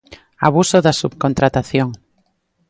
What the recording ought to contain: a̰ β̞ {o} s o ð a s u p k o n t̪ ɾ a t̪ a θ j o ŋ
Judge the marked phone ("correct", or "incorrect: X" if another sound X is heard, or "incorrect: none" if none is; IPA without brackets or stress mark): incorrect: u